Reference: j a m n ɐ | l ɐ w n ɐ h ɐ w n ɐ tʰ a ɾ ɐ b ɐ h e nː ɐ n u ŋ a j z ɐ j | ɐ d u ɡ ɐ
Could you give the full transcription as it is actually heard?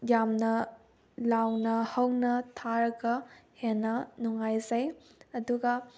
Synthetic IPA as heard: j a m n ɐ | l a w n ɐ h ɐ w n ɐ tʰ a ɾ ɐ ɡ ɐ h e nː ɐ n u ŋ a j z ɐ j | ɐ d u ɡ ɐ